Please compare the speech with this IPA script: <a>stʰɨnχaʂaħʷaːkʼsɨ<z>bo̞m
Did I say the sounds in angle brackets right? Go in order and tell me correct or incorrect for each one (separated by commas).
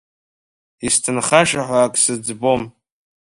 incorrect, incorrect